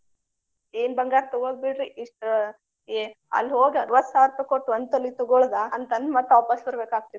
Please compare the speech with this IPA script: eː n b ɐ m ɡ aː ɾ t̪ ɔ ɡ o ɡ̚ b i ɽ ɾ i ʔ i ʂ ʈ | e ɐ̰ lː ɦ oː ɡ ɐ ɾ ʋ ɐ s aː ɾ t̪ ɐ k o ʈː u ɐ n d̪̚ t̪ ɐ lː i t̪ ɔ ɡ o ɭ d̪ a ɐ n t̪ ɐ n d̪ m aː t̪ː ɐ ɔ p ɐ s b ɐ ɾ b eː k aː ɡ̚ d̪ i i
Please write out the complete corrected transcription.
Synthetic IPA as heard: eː n b ɐ ŋ ɡ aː ɾ t̪ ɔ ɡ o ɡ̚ b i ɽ ɾ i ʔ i ʂ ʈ | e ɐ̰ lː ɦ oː ɡ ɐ ɾ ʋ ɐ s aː ɾ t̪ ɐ k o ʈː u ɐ n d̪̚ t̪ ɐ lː i t̪ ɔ ɡ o ɭ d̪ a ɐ n t̪ ɐ n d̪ m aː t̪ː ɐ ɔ p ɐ s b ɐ ɾ b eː k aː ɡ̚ t̪ i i